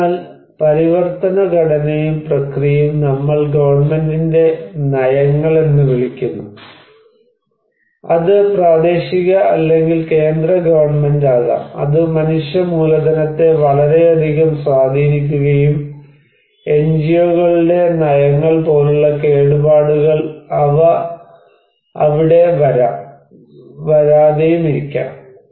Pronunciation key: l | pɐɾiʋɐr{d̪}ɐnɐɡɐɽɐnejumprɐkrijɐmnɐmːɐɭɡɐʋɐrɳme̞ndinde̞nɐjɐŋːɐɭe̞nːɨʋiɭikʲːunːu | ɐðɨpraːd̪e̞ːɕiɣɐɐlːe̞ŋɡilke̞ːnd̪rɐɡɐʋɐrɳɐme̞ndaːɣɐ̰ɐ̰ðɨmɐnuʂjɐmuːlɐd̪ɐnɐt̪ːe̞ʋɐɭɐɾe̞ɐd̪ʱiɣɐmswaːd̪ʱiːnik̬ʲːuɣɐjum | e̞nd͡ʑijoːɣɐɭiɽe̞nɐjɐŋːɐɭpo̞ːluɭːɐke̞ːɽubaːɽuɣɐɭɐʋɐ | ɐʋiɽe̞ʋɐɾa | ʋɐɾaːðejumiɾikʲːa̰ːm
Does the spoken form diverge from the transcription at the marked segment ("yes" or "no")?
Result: yes